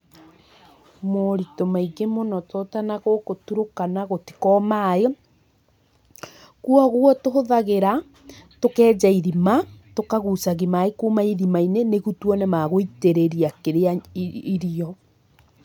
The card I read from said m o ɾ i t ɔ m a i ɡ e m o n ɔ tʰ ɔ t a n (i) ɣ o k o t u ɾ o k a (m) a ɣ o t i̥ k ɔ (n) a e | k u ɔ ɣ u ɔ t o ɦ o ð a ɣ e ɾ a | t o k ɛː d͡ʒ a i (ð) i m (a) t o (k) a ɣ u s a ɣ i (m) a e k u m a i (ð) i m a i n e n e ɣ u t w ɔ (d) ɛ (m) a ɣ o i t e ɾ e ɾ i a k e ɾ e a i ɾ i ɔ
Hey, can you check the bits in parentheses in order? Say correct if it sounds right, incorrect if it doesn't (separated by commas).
incorrect, incorrect, incorrect, correct, correct, correct, correct, correct, incorrect, correct